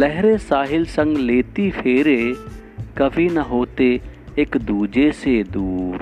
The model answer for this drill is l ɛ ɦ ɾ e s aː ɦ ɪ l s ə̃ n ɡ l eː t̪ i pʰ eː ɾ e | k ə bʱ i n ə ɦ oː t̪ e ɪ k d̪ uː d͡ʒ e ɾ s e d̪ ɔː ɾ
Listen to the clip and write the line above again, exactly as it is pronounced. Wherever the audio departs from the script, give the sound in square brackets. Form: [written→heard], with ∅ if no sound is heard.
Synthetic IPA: l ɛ ɦ ɾ e s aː ɦ ɪ l s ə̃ [n→ŋ] ɡ l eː t̪ i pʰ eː ɾ e | k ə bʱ i n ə ɦ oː t̪ e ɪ k d̪ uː d͡ʒ e [ɾ→∅] s e d̪ [ɔː→uː] ɾ